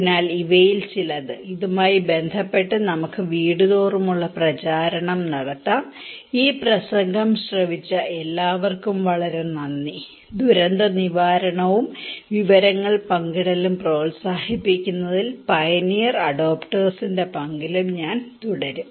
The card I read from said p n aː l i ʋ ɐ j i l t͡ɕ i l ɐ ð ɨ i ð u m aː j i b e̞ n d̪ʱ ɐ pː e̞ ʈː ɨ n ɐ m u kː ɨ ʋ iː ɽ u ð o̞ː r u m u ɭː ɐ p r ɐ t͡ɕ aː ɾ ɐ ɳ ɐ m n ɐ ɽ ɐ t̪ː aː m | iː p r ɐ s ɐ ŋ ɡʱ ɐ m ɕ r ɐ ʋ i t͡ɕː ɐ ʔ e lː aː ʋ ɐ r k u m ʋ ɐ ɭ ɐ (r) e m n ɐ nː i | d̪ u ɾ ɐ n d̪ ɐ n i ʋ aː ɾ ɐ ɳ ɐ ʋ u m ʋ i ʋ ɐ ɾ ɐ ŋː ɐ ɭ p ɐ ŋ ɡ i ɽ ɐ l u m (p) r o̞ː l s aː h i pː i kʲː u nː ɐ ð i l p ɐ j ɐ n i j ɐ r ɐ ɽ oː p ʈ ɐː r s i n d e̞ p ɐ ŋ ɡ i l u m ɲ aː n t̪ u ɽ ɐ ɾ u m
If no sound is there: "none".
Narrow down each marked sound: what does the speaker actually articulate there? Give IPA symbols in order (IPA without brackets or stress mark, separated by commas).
ɾ, p